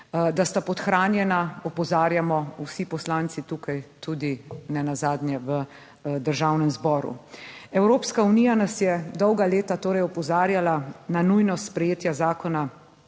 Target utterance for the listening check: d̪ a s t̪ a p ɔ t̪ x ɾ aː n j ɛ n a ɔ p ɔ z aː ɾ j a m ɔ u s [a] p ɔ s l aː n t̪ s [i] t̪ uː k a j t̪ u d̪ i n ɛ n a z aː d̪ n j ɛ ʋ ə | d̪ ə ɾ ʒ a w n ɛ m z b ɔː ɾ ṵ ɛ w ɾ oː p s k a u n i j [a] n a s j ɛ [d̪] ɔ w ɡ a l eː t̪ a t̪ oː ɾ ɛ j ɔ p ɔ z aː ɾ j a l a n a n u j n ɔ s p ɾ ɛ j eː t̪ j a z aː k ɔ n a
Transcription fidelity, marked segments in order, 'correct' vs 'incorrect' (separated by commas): incorrect, correct, correct, correct